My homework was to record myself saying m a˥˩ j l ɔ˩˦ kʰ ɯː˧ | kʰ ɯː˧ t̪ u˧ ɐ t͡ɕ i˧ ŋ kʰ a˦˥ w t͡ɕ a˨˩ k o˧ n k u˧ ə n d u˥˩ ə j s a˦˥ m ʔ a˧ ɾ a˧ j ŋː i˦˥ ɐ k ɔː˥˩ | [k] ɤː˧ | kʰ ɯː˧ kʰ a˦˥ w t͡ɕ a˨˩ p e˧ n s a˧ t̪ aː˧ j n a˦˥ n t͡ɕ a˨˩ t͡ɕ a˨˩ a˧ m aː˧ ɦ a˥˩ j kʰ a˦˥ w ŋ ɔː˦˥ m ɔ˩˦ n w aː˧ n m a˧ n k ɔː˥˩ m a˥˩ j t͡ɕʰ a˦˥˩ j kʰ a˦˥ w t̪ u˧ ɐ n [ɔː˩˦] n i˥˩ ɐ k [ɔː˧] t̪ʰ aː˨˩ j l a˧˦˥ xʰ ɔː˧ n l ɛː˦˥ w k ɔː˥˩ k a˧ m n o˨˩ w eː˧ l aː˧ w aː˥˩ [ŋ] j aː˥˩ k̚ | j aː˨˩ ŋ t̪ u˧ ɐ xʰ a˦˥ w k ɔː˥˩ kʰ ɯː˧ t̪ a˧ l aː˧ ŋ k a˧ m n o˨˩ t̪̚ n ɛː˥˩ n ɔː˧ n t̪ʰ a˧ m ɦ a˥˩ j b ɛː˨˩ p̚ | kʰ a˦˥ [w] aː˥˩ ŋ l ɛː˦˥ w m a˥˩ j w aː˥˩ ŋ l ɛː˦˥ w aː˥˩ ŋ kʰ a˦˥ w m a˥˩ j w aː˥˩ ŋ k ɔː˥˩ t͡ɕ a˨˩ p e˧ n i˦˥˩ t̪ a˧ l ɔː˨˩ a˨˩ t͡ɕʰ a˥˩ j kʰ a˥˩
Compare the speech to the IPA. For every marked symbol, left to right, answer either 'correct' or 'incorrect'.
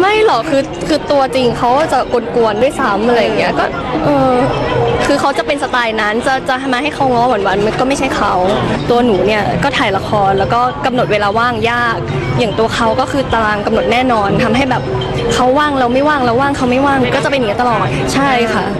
incorrect, incorrect, incorrect, correct, incorrect

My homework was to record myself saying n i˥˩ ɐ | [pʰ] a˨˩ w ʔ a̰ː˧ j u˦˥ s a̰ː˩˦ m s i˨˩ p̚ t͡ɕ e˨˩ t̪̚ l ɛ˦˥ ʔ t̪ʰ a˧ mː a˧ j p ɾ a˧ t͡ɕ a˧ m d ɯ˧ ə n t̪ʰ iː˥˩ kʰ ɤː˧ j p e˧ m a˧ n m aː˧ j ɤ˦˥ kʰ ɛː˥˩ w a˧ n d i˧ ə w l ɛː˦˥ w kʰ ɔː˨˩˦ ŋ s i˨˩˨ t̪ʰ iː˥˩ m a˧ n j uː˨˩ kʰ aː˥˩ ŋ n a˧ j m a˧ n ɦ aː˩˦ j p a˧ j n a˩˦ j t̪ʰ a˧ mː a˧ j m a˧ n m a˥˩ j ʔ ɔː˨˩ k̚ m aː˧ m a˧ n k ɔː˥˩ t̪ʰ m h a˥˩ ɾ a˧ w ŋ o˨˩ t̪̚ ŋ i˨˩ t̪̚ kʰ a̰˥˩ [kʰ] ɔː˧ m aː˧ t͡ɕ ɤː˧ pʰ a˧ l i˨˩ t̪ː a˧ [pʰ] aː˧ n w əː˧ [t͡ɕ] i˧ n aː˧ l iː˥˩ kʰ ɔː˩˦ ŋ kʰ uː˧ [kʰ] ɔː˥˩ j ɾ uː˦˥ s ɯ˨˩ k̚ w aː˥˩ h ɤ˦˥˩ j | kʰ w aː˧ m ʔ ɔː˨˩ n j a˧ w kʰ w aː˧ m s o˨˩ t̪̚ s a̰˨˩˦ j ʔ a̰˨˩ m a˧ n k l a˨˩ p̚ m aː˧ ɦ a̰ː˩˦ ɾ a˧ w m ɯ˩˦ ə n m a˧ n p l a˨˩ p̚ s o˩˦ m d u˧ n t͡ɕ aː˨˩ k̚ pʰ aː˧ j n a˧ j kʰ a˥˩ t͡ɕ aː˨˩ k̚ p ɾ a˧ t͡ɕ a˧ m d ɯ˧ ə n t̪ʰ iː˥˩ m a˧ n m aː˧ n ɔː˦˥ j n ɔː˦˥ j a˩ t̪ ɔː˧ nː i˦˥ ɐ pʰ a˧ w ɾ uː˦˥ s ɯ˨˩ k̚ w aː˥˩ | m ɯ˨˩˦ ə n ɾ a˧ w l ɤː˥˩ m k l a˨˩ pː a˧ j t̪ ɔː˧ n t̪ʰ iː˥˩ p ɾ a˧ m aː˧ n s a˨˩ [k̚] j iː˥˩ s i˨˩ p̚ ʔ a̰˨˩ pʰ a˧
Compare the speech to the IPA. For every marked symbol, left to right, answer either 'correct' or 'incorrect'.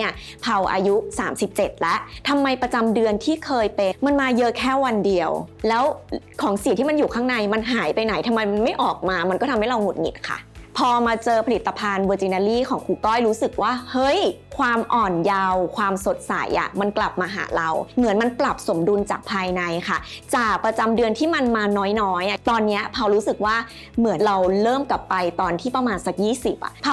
correct, incorrect, correct, correct, incorrect, correct

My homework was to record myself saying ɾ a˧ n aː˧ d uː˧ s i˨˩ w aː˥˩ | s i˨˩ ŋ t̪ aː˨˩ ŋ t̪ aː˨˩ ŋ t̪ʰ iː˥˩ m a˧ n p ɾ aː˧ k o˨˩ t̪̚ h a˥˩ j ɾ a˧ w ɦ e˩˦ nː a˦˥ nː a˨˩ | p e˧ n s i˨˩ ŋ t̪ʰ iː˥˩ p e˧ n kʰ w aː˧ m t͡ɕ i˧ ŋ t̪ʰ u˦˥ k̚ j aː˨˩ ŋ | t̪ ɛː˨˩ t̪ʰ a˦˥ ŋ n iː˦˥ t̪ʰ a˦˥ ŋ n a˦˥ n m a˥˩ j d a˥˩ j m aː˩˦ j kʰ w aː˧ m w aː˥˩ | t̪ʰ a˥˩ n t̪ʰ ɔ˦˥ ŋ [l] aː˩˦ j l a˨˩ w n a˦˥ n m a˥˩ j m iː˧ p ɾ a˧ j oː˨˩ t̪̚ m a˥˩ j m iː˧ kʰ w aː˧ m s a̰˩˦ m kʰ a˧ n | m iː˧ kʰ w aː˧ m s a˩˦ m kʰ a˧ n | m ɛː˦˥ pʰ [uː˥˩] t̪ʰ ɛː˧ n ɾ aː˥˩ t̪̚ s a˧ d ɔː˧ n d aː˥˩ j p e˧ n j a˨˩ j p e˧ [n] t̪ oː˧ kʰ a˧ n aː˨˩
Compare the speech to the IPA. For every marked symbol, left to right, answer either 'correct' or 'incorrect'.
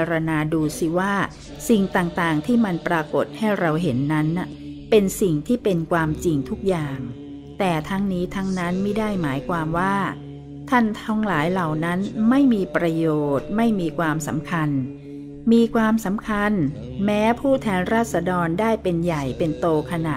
correct, correct, correct

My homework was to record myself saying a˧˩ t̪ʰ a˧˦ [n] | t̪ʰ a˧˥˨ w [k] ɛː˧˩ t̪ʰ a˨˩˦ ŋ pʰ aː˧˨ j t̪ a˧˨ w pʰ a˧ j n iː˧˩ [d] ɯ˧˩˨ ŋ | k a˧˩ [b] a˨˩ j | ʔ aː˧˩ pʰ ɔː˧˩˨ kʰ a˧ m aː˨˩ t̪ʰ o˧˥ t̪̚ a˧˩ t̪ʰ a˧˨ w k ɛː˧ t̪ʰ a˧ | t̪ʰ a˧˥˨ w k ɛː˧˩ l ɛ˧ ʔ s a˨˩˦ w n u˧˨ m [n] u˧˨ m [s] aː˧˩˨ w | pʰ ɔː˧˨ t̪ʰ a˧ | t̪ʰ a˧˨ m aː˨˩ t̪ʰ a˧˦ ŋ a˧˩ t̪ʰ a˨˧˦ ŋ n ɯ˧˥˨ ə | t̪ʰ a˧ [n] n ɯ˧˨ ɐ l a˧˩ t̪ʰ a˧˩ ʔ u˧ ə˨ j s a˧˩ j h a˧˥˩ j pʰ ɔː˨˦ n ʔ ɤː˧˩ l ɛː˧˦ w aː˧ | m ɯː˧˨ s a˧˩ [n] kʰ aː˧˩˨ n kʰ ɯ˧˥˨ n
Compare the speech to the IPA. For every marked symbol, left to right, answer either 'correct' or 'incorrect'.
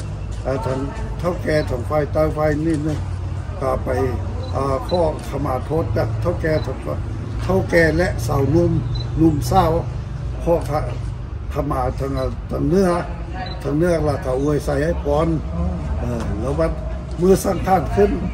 incorrect, correct, incorrect, incorrect, correct, correct, incorrect, incorrect

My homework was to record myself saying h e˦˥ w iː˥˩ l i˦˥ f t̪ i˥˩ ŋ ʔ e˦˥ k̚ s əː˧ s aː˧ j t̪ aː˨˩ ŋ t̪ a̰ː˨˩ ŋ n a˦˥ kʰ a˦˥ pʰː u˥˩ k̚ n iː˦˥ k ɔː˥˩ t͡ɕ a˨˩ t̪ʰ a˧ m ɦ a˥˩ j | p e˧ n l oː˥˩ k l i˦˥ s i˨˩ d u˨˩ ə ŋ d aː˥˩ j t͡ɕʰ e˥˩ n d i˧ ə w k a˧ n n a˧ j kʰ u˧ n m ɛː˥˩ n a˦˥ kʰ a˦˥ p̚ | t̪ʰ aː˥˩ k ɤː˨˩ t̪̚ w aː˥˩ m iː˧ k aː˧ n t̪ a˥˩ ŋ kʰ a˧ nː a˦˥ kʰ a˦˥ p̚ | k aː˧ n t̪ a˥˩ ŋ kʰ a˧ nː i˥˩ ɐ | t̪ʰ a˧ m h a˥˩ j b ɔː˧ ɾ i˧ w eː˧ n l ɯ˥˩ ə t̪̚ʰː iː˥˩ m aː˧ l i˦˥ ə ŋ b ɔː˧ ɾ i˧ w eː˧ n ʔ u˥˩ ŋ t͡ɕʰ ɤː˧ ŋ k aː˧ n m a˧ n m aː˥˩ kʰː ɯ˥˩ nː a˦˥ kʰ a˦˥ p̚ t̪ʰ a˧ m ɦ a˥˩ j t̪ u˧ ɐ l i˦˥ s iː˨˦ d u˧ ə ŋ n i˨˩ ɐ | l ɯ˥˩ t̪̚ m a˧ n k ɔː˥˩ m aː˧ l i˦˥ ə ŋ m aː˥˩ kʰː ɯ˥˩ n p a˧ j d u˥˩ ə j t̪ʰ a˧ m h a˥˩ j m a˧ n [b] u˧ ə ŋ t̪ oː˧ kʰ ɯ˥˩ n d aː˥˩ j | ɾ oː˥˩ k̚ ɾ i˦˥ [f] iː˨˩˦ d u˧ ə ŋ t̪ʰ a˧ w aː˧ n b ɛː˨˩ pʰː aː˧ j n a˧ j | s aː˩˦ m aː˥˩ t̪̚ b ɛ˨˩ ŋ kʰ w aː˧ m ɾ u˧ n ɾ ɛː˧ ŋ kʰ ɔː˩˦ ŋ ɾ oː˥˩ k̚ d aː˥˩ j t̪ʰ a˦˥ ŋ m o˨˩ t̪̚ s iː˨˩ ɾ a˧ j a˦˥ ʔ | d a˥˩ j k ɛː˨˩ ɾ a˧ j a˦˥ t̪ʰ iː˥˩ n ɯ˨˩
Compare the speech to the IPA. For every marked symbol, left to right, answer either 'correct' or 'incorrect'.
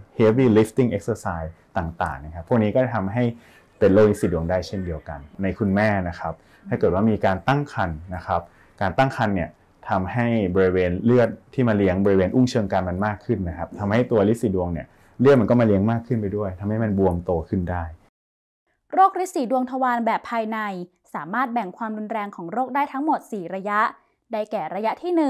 correct, incorrect

